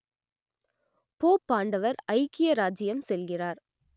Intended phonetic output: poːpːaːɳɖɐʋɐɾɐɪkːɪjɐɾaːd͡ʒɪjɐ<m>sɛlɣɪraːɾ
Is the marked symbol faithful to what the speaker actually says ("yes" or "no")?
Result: yes